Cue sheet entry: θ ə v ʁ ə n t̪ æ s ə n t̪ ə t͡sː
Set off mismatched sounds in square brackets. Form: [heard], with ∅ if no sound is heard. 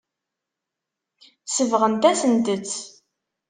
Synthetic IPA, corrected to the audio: [s] ə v ʁ ə n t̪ æ s ə n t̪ ə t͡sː